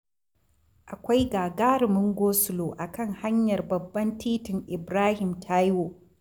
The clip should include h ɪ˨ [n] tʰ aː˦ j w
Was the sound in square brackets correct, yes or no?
no